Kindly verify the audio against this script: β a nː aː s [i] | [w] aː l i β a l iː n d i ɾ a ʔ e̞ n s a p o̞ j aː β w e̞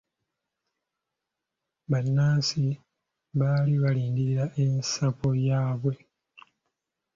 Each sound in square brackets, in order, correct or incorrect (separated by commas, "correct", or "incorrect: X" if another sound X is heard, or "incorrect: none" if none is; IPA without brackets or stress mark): correct, incorrect: β